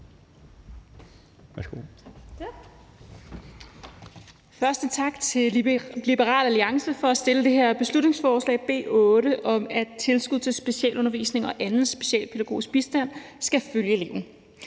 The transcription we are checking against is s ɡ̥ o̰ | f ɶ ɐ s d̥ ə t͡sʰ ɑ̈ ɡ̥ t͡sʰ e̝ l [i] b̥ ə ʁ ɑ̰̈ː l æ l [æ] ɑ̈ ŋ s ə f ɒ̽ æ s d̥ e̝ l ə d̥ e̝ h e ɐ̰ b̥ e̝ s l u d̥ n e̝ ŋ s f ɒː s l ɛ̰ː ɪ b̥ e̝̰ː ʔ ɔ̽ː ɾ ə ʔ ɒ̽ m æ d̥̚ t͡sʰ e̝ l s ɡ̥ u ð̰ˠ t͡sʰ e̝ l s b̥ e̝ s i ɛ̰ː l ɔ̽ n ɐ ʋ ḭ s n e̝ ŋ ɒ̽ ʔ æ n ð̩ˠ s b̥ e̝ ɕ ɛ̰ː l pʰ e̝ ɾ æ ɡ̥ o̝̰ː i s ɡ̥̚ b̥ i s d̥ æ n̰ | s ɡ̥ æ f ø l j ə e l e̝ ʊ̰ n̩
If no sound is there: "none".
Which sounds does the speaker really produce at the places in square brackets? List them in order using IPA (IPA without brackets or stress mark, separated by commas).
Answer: i, i